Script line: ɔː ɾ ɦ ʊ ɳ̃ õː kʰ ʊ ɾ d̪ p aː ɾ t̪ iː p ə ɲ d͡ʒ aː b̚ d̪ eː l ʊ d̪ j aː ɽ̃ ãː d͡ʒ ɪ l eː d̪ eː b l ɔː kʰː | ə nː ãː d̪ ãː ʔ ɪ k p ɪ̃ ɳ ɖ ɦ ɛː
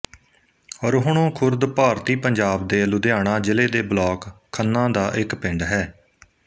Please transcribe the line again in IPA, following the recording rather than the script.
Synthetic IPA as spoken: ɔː ɾ ɦ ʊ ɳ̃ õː kʰ ʊ ɾ d̪ p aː ɾ t̪ iː p ə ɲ d͡ʒ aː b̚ d̪ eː l ʊ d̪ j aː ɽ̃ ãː d͡ʒ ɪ l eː d̪ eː b l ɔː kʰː | ə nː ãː d̪ aː ʔ ɪ k p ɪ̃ ɳ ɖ ɦ ɛː